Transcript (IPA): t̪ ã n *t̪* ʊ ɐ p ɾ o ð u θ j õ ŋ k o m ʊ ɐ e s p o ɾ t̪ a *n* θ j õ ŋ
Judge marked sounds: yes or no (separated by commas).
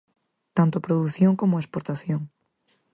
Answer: yes, no